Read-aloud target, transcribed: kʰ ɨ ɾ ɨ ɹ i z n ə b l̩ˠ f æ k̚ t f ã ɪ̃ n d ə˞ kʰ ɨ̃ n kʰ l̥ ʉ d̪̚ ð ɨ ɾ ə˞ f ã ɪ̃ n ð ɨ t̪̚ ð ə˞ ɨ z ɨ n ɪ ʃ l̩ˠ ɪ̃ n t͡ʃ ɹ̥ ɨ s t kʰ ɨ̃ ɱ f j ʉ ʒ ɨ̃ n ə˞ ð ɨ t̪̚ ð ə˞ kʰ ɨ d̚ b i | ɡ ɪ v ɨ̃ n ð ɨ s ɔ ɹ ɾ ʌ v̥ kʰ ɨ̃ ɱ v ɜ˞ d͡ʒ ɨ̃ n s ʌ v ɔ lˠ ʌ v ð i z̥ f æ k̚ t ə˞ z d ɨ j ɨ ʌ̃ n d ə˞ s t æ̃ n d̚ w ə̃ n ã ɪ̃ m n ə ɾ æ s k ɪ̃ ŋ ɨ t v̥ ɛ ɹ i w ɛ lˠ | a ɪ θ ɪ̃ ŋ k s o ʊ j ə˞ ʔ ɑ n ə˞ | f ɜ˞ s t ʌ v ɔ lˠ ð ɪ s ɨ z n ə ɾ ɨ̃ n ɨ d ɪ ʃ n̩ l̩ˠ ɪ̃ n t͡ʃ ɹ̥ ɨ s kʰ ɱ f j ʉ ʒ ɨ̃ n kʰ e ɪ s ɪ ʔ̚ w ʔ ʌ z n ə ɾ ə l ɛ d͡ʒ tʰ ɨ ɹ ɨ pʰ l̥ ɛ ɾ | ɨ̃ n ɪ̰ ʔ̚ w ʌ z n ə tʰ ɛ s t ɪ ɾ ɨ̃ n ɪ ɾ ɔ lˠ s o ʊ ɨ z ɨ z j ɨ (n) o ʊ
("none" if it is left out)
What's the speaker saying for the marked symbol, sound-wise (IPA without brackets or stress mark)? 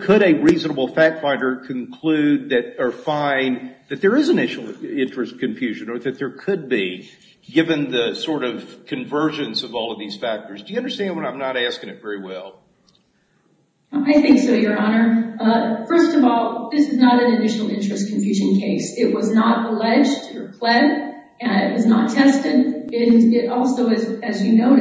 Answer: n